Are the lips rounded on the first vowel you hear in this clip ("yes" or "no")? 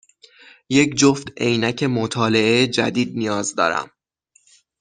no